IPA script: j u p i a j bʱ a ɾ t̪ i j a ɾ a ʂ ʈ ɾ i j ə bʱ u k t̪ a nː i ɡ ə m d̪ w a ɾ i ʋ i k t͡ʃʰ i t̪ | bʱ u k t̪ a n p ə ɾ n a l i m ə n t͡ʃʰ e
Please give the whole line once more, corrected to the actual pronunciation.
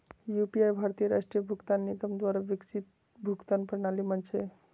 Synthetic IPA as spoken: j u p i a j bʱ a ɾ t̪ i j ə ɾ a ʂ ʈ ɾ i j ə bʱ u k t̪ a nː i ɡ ə m d̪ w a ɾ a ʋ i k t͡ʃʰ i t̪ | bʱ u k t̪ a n p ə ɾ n a l i m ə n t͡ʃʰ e